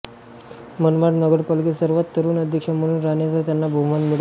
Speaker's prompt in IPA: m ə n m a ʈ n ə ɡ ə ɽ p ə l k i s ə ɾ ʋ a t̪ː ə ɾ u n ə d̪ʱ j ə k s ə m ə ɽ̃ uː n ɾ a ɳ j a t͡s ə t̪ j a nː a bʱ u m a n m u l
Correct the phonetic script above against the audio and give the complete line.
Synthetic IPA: m ə n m a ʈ n ə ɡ ə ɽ p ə l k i s ə ɾ ʋ a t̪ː ə ɾ uː n ə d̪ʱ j ə k ʂ ə m ə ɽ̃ uː n ɾ a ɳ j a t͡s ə t̪ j a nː a bʱ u m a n m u ɽ

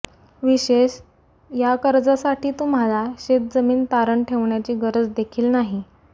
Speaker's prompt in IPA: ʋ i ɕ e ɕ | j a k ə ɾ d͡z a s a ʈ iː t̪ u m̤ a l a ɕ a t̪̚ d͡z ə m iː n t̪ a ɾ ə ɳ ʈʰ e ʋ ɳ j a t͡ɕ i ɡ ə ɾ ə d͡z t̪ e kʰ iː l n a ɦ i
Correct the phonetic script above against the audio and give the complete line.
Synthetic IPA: ʋ i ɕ e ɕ | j a k ə ɾ d͡z a s a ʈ iː t̪ u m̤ a l a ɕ e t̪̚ d͡z ə m iː n t̪ a ɾ ə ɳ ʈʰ e ʋ ɳ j a t͡ɕ iː ɡ ə ɾ ə d͡z d̪ e kʰ iː l n a ɦ i

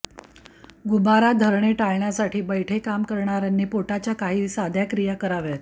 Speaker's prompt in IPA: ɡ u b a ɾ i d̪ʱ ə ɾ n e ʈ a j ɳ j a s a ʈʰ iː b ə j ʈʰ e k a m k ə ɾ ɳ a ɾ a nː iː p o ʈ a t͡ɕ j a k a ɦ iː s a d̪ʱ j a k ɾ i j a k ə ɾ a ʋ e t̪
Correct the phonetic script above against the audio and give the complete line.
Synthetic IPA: ɡ u b a ɾ a d̪ʱ ə ɾ ɳ e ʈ a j ɳ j a s a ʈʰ iː b ə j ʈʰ e k a m k ə ɾ ɳ a ɾ a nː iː p o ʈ a t͡ɕ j a k a ɦ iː s a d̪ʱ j a k ɾ i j a k ə ɾ a ʋ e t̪

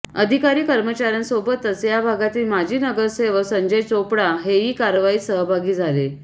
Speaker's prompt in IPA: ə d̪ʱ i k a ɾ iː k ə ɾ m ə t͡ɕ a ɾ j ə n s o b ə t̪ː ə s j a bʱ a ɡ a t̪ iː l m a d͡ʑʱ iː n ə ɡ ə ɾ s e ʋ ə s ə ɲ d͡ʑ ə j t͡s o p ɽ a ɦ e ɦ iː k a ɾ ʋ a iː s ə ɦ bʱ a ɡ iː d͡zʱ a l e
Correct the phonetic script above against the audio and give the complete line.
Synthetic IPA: ə d̪ʱ i k a ɾ iː k ə ɾ m ə t͡ɕ a ɾ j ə n s o b ə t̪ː ə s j a bʱ a ɡ a t̪ iː l m a d͡ʑʱ iː n ə ɡ ə ɾ s e ʋ ə s ə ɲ d͡ʑ ə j t͡s o p ɽ a ɦ e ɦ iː k a ɾ ʋ a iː s ə ɦ bʱ a ɡ iː d͡zʱ a l e

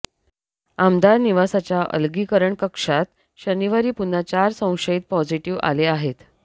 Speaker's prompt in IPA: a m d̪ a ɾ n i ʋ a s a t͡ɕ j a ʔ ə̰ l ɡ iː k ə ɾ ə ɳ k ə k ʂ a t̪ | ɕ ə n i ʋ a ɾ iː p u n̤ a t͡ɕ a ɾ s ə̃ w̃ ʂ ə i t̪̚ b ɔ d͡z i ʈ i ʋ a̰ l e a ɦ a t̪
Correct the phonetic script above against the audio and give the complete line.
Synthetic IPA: a m d̪ a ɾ n i ʋ a s a t͡ɕ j a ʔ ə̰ l ɡ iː k ə ɾ ə ɳ k ə k ʂ a t̪ | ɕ ə n i ʋ a ɾ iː p u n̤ a t͡ɕ a ɾ s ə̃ w̃ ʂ ə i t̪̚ p ɔ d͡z i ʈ i ʋ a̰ l e a ɦ e t̪

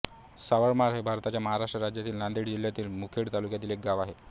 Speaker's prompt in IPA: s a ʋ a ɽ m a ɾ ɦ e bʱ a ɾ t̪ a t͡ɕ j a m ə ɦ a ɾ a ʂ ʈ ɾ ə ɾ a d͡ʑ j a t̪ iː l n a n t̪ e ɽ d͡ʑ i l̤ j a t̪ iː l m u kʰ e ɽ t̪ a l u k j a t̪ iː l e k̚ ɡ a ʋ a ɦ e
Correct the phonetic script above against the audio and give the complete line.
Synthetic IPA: s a ʋ ə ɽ m a ɾ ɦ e bʱ a ɾ t̪ a t͡ɕ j a m ə ɦ a ɾ a ʂ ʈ ɾ ə ɾ a d͡ʑ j a t̪ iː l n a n d̪ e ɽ d͡ʑ i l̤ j a t̪ iː l m u kʰ e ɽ t̪ a l u k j a t̪ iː l e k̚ ɡ a ʋ a ɦ e

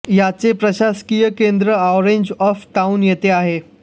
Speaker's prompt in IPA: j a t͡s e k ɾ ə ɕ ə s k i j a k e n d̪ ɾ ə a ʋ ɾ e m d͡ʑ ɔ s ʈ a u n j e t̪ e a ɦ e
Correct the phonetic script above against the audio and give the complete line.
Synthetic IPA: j a t͡s e p ɾ ə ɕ a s k i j ə k e n d̪ ɾ ə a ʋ ɾ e ɲ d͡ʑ ɔ f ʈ a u n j e t̪ e a ɦ e

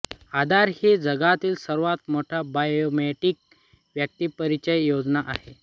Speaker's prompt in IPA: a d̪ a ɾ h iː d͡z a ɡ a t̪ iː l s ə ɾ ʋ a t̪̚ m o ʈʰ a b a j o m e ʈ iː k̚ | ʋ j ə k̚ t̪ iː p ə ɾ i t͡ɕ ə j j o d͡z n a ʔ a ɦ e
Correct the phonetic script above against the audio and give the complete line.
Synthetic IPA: a d̪ a ɾ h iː d͡z ə ɡ a t̪ iː l s ə ɾ ʋ a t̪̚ m o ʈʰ a b a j o m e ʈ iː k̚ | ʋ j ə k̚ t̪ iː p ə ɾ i t͡ɕ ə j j o d͡z n a ʔ a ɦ e

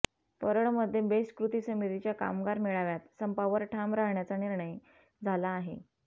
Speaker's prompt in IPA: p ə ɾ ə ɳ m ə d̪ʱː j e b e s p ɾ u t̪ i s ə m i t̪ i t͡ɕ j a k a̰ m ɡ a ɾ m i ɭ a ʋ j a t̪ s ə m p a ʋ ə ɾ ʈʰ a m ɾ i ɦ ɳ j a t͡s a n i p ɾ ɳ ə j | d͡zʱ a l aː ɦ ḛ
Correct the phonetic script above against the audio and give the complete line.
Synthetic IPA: p ə ɾ ə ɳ m ə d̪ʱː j e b e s k ɾ u t̪ i s ə m i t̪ i t͡ɕ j a k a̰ m ɡ a ɾ m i ɭ a ʋ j a t̪ s ə m p a ʋ ə ɾ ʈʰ a m ɾ a ɦ ɳ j a t͡s a n i ɾ ɳ ə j | d͡zʱ a l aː ɦ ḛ

